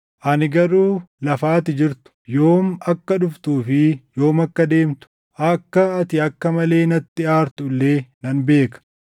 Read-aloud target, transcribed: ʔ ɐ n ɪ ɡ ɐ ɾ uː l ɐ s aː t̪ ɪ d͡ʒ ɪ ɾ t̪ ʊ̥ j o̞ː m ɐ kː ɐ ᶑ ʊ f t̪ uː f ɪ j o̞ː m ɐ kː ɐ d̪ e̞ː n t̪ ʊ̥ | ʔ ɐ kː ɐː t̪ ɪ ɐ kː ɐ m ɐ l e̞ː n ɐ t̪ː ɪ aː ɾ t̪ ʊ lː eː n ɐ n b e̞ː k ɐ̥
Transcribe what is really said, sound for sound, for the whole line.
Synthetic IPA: ʔ ɐ n ɪ ɡ ɐ ɾ uː l ɐ f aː t̪ ɪ d͡ʒ ɪ ɾ t̪ ʊ̥ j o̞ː m ɐ kː ɐ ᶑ ʊ f t̪ uː f ɪ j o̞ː m ɐ kː ɐ d̪ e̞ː m t̪ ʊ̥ | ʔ ɐ kː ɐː t̪ ɪ ɐ kː ɐ m ɐ l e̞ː n ɐ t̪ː ɪ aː ɾ t̪ ʊ lː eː n ɐ n b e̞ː k ɐ̥